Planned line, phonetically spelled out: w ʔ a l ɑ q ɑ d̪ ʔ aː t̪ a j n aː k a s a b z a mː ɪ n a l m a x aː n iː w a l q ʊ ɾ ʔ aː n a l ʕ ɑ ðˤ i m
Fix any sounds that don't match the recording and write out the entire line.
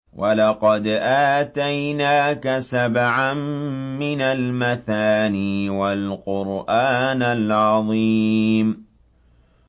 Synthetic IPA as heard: w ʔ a l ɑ q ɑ d̪ ʔ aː t̪ a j n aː k a s a b ʕ a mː ɪ n a l m a θ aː n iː w a l q ʊ ɾ ʔ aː n a l ʕ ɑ ðˤ i m